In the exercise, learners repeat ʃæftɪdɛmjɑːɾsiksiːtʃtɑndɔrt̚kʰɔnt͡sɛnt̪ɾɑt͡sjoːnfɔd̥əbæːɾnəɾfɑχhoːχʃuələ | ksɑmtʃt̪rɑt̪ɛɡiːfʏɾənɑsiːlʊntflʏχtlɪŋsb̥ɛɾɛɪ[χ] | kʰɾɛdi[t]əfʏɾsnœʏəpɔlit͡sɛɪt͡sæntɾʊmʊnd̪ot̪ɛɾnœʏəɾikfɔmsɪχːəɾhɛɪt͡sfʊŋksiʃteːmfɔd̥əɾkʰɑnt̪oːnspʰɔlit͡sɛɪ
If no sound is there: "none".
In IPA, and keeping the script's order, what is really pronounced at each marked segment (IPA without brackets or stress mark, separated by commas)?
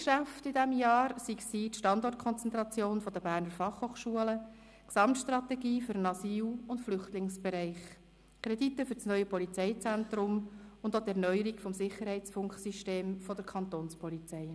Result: χ, t